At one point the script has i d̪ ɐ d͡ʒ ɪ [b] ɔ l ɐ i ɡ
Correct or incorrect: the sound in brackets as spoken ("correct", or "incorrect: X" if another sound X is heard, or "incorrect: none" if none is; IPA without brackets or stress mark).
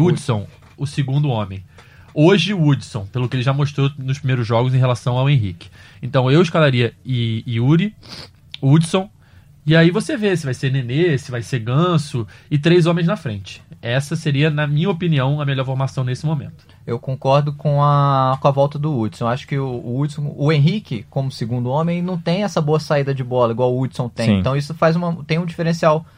correct